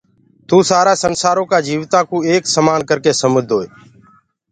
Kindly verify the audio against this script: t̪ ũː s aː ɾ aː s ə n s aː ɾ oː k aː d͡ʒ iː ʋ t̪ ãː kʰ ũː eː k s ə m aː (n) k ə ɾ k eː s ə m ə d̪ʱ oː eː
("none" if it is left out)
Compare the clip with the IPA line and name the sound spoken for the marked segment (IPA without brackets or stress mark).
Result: n